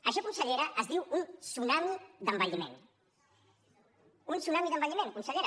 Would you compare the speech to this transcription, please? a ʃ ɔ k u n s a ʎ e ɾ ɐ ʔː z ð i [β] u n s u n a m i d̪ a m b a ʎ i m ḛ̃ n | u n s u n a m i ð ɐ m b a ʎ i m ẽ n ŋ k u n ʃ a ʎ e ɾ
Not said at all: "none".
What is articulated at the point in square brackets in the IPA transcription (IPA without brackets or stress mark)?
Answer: w